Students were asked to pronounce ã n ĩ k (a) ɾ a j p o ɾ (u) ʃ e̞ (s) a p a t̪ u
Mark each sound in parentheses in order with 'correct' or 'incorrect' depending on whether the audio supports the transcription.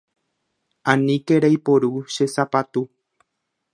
incorrect: e, correct, correct

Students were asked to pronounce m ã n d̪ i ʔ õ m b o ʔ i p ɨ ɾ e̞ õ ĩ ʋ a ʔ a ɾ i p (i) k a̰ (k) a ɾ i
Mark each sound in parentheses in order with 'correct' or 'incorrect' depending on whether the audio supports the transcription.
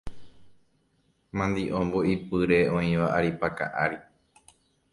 incorrect: a, incorrect: ʔ

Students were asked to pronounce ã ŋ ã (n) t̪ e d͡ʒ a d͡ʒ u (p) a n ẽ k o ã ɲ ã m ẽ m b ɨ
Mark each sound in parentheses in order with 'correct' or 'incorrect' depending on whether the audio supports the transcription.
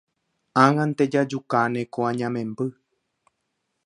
correct, incorrect: k

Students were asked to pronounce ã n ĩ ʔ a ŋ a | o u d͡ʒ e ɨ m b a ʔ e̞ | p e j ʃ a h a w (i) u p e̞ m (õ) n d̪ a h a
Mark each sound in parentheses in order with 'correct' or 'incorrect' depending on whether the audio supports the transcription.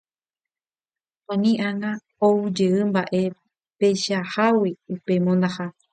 correct, correct

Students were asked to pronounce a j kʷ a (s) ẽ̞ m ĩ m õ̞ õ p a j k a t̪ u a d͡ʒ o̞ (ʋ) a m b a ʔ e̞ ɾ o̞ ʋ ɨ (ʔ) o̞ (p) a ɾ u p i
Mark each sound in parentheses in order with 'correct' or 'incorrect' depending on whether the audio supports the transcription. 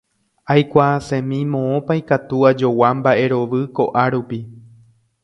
correct, incorrect: w, incorrect: k, incorrect: ʔ

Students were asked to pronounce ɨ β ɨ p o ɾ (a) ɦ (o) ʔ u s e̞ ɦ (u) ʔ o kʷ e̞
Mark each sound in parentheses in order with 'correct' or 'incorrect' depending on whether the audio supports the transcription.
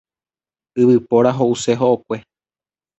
correct, correct, incorrect: o

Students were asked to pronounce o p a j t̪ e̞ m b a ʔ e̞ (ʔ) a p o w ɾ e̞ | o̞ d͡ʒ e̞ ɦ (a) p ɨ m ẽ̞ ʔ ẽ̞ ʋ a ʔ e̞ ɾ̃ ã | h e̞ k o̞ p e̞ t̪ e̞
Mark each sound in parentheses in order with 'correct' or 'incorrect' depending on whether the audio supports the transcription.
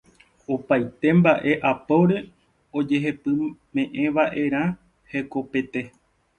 correct, incorrect: e

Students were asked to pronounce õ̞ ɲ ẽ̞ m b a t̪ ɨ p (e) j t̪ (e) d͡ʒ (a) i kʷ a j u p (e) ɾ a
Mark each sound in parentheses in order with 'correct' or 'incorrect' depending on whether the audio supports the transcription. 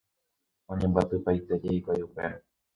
incorrect: a, correct, incorrect: e, correct

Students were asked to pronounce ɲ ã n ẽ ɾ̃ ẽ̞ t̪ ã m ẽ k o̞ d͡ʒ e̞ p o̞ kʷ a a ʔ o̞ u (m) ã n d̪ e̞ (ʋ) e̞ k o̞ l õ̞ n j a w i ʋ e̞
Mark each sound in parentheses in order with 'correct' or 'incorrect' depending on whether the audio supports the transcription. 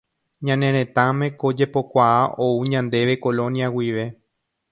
incorrect: ɲ, correct

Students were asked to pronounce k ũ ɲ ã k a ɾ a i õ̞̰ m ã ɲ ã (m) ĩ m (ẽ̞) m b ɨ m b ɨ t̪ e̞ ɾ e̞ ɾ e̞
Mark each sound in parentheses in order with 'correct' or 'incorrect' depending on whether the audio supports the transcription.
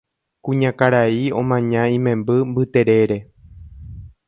incorrect: none, correct

